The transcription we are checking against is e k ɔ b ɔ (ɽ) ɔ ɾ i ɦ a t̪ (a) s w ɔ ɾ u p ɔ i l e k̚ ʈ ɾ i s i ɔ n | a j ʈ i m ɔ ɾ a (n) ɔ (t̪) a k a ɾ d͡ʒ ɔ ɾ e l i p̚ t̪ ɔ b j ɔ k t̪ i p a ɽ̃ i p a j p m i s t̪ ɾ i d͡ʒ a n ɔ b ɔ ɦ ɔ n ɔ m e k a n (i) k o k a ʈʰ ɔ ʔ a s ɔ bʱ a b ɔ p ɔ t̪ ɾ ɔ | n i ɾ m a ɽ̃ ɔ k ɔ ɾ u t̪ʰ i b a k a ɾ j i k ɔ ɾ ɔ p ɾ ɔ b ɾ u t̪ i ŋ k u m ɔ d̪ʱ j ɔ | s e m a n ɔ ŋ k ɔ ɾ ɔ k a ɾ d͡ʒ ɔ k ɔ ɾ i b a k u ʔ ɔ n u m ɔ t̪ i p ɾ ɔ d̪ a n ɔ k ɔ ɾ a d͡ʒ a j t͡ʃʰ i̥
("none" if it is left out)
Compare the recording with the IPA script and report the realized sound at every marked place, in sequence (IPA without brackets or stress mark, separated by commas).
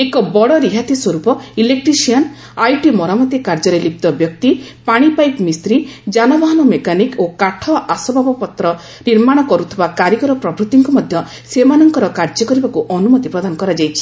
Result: ɽ, i, m, t̪, i